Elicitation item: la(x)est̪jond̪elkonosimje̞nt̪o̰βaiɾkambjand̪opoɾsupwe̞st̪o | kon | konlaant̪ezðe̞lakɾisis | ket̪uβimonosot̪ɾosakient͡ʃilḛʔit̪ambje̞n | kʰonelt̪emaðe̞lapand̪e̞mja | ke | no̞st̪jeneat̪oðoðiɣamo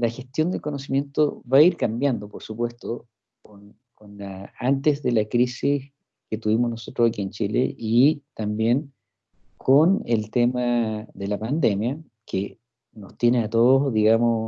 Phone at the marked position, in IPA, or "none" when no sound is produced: x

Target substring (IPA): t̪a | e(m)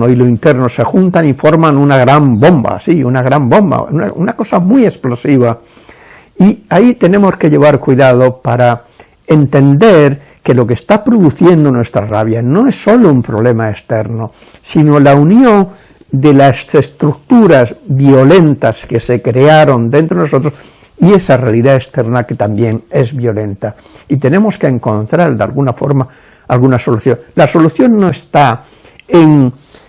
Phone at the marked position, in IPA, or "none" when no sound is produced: ŋ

